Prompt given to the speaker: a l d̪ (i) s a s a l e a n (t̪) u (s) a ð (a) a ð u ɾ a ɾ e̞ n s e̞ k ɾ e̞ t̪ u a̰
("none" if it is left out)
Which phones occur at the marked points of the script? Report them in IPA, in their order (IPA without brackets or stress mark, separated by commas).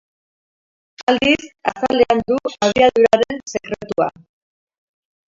i, d̪, none, i